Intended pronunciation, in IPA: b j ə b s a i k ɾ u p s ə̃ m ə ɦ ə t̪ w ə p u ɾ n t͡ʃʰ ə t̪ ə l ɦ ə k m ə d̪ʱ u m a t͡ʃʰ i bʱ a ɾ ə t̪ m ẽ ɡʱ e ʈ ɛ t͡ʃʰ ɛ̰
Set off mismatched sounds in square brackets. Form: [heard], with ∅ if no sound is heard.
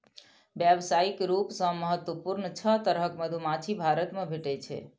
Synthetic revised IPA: b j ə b s a i k ɾ u p s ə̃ m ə ɦ ə t̪ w ə p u ɾ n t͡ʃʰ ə t̪ ə [ɾ] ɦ ə k m ə d̪ʱ u m a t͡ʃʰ i bʱ a ɾ ə t̪ m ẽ [bʱ] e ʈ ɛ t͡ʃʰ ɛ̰